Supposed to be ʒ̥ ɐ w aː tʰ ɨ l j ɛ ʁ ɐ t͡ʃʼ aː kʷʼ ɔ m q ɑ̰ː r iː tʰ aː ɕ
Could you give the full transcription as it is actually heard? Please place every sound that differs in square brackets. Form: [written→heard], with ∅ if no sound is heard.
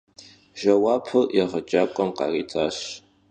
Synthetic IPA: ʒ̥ ɐ w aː [tʰ→pʰ] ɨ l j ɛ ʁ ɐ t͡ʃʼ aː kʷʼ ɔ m q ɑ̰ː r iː tʰ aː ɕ